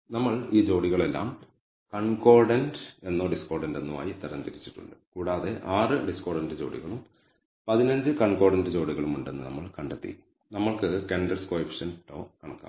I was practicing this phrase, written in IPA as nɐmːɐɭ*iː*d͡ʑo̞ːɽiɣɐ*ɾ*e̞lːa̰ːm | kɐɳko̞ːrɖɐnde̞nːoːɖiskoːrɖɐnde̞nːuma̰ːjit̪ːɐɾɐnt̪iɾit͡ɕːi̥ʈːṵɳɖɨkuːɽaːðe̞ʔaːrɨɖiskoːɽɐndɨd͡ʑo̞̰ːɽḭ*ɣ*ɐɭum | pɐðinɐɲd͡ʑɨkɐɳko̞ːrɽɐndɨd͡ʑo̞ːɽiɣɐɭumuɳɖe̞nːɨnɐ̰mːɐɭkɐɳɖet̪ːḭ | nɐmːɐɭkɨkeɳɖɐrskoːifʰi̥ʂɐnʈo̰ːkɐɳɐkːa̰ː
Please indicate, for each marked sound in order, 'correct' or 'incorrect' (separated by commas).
correct, incorrect, correct